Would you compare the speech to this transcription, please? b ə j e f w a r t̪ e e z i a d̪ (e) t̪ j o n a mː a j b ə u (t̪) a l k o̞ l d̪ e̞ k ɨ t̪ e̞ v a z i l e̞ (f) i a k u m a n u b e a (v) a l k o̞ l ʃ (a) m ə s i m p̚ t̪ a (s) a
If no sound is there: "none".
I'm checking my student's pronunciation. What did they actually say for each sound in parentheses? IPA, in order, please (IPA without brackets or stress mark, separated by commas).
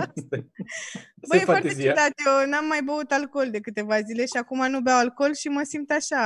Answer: a, t̪, ʃ, w, i, ʃ